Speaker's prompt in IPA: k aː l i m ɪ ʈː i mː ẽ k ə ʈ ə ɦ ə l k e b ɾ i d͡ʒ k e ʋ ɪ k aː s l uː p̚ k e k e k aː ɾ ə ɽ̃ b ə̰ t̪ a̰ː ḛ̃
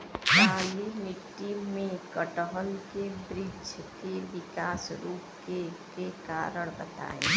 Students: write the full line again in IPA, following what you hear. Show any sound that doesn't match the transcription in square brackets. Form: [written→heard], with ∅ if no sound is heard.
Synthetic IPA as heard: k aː l i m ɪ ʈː i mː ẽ k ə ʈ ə ɦ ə l k e b ɾ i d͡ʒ k e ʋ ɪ k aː s [l→ɾ] uː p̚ k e k e k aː ɾ ə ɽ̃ b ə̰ t̪ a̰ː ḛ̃